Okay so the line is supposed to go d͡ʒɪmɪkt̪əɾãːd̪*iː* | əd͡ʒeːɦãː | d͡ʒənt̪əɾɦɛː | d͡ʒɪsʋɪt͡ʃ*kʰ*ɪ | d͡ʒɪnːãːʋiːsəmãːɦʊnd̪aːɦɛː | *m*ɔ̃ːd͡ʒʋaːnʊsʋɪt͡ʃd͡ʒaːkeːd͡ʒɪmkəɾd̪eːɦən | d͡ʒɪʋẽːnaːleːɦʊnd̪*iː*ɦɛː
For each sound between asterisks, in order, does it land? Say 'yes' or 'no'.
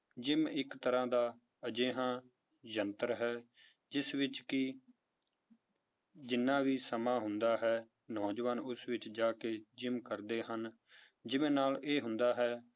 no, no, no, no

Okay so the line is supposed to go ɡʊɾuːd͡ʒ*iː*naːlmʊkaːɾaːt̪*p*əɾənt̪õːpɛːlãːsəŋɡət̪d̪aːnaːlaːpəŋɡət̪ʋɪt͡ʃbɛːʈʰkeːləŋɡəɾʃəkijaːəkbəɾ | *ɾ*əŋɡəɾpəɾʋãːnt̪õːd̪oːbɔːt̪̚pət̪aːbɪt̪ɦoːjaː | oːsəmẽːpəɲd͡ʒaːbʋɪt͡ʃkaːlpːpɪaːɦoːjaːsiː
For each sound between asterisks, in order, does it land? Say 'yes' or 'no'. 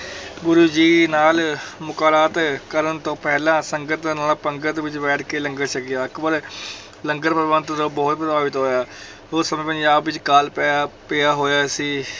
yes, no, no

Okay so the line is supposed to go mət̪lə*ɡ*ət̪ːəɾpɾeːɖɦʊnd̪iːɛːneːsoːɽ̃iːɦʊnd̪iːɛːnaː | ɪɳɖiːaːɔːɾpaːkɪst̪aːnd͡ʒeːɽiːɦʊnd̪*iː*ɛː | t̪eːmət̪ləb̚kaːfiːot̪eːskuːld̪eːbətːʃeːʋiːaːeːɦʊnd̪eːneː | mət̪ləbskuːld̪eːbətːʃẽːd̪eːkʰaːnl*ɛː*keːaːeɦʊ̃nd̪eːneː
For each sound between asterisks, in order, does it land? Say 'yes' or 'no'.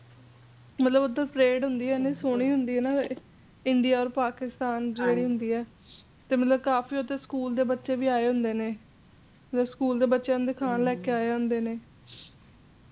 no, yes, yes

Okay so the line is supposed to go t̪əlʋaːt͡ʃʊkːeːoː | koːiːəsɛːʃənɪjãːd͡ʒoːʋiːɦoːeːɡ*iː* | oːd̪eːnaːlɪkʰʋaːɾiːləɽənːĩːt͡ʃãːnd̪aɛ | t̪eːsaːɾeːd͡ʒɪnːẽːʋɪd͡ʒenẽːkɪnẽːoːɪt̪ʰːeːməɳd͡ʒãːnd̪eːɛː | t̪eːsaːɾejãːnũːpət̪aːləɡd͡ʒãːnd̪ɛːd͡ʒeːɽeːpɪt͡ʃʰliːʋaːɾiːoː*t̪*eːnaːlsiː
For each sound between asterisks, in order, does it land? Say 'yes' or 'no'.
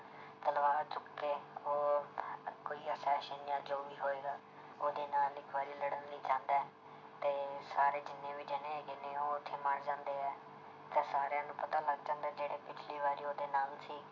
no, no

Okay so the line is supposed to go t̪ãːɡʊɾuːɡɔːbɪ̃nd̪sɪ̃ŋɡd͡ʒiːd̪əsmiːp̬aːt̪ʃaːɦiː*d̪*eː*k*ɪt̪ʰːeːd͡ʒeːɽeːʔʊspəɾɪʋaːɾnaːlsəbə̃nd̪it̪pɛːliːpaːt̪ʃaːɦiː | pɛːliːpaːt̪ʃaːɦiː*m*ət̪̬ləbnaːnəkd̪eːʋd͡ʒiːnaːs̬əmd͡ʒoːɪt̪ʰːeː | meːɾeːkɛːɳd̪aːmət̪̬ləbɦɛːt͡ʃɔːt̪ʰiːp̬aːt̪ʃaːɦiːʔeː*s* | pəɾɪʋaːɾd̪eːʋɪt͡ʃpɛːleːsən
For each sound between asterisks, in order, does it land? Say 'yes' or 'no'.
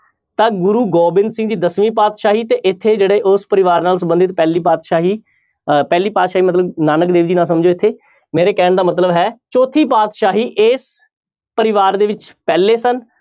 no, no, yes, yes

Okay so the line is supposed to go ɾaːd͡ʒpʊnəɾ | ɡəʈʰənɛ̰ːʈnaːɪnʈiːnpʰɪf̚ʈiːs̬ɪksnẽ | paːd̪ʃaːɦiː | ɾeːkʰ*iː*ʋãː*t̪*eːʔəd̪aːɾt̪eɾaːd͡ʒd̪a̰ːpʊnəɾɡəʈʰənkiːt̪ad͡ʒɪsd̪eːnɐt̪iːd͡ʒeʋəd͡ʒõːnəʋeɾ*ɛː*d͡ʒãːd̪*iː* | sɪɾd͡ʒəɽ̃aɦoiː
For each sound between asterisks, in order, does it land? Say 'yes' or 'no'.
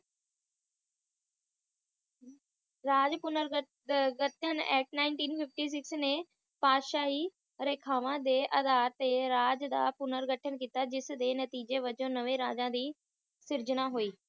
no, no, no, yes

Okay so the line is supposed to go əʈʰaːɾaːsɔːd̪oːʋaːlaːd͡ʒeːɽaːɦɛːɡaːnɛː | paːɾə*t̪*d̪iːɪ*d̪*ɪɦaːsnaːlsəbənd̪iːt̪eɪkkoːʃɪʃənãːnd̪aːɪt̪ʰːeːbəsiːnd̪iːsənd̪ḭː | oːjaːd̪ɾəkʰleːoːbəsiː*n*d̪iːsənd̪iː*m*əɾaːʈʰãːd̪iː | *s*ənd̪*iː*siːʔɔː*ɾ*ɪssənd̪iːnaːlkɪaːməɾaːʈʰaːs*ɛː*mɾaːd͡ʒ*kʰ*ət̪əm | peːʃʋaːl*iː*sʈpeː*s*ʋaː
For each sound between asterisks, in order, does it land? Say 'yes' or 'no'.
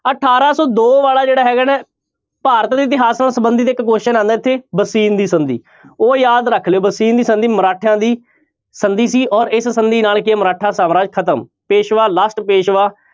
yes, no, yes, yes, yes, yes, yes, no, yes, no, no

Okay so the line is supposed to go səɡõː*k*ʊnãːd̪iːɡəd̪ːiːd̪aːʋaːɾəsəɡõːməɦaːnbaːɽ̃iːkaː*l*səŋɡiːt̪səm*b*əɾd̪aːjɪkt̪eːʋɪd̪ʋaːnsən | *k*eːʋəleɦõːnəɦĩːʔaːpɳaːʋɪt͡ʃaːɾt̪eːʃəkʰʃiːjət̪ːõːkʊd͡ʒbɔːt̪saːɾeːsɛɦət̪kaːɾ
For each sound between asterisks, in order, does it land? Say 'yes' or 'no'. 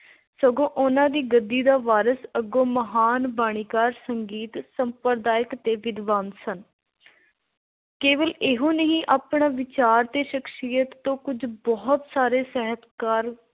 no, no, no, yes

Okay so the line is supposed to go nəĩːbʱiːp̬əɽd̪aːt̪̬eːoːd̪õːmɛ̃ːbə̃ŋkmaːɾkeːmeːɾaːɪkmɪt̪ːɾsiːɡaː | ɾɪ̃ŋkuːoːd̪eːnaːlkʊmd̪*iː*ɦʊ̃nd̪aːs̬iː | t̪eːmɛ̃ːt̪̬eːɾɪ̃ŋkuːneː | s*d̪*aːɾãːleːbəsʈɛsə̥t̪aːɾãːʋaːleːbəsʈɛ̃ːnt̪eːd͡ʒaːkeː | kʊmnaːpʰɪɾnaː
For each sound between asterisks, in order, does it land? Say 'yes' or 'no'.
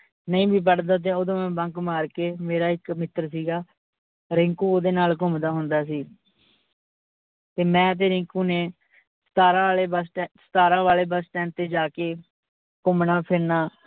no, no

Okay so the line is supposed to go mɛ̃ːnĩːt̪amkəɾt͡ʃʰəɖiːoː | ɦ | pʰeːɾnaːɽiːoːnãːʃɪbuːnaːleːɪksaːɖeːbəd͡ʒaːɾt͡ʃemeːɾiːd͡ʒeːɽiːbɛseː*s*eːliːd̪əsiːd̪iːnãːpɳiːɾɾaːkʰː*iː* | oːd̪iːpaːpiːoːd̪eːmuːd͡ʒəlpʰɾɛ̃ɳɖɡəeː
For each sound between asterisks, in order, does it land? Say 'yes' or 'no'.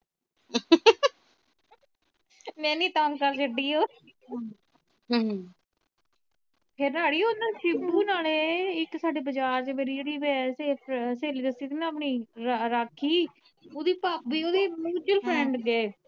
yes, yes

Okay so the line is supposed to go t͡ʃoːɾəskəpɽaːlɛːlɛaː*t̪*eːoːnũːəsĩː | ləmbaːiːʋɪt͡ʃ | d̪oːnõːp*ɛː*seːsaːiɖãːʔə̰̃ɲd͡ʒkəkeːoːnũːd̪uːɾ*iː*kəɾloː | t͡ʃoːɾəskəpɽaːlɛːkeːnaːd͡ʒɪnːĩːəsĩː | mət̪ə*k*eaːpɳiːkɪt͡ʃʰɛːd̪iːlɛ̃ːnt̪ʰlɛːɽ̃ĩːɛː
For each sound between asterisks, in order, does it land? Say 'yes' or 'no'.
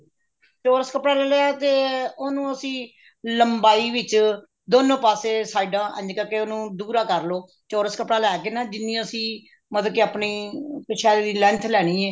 yes, no, no, yes

